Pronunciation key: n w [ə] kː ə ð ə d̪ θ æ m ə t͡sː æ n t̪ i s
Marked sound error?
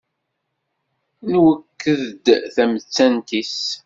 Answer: no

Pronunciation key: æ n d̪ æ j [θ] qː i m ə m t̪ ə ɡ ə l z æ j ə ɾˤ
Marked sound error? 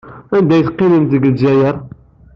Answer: no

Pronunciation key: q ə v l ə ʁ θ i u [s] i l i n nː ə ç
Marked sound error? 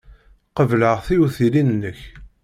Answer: yes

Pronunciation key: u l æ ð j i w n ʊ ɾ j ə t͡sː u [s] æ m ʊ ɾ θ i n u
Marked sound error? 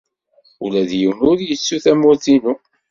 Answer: yes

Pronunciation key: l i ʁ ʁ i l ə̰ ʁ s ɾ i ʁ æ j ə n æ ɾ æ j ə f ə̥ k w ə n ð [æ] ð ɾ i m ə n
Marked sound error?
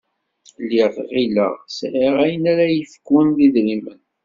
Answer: yes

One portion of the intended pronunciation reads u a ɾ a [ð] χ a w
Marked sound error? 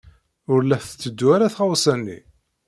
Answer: yes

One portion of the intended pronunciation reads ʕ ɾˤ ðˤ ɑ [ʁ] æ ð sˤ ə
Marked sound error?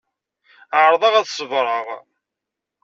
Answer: no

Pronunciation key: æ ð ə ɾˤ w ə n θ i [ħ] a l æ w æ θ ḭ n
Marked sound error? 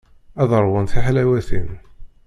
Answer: no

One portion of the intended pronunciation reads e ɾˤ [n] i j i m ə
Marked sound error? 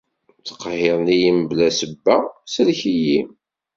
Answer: no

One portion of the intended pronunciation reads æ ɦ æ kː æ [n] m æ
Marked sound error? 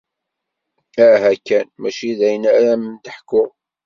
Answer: no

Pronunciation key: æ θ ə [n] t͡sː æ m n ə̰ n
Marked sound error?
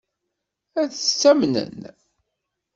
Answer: yes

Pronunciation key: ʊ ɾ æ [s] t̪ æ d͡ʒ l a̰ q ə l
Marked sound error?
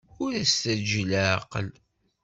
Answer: no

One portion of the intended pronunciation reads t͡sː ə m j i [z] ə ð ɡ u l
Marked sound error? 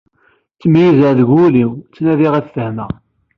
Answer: no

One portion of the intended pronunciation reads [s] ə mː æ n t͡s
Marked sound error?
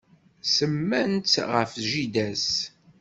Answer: no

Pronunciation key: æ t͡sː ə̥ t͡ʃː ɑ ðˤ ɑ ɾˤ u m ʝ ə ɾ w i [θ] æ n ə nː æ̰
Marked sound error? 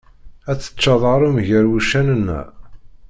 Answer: yes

